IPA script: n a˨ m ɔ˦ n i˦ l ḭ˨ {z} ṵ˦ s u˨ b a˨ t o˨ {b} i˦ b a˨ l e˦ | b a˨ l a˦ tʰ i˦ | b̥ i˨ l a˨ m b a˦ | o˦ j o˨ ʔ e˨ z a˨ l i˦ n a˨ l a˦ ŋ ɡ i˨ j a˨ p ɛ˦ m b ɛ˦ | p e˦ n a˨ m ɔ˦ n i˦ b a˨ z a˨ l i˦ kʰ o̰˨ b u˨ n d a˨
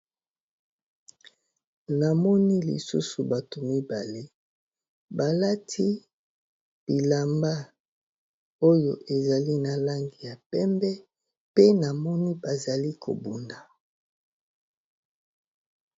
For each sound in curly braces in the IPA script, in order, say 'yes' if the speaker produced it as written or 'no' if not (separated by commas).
no, no